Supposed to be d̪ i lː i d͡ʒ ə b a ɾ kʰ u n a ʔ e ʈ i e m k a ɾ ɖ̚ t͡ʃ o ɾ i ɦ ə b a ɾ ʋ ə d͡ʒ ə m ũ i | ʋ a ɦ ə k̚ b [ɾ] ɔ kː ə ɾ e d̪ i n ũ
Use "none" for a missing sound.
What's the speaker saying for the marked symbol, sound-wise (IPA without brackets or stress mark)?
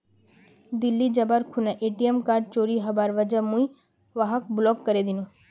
l